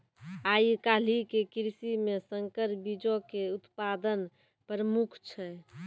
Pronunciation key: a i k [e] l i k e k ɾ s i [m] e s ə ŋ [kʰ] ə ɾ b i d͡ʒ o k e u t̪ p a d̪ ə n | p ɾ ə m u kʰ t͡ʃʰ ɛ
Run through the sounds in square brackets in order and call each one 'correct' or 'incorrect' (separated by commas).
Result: incorrect, correct, incorrect